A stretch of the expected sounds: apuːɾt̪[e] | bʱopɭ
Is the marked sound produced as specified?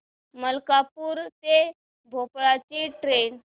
yes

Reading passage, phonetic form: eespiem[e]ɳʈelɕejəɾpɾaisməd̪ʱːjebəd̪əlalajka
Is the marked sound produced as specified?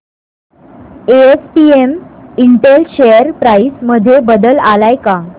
no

